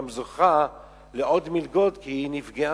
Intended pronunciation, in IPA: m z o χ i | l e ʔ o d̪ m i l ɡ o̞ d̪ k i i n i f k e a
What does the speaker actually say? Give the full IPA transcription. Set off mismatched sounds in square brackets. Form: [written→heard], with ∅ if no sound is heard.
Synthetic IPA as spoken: m z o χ [i→a] | l e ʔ o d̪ m i l ɡ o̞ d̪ k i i n i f [k→ɡ] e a